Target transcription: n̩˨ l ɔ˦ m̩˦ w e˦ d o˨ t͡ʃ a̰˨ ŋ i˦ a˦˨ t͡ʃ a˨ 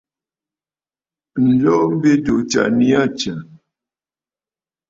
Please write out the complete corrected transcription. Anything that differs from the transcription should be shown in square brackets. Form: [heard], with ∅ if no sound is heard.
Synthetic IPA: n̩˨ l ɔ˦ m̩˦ [b] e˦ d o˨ t͡ʃ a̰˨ [n] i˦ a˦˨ t͡ʃ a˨